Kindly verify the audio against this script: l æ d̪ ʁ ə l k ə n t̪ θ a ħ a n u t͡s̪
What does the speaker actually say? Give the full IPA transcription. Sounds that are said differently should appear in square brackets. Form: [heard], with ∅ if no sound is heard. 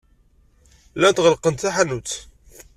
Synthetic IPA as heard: l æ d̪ ʁ ə l [q] ə n t̪ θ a ħ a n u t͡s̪